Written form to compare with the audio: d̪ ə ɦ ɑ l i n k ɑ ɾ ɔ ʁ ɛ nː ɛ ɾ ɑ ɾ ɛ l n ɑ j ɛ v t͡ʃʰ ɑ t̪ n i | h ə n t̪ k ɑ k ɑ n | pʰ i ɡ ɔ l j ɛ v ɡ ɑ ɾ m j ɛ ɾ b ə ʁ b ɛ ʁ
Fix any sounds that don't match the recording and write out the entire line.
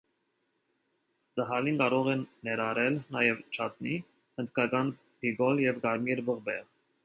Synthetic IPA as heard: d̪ ə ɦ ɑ l i n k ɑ ɾ ɔ ʁ ɛ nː ɛ ɾ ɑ ɾ ɛ l n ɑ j ɛ v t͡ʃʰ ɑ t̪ n i | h ə n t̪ k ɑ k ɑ n | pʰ i ɡ ɔ l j ɛ v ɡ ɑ ɾ m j ɛ ɾ b ə ʁ b ɛ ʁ